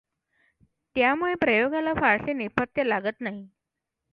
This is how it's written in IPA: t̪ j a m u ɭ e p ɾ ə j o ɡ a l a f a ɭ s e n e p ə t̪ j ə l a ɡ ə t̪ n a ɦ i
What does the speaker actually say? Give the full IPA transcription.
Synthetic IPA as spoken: t̪ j a m u ɭ e p ɾ ə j o ɡ a l a f a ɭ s e n e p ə t̪ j ə l a ɡ ə t̪ n a ɦ i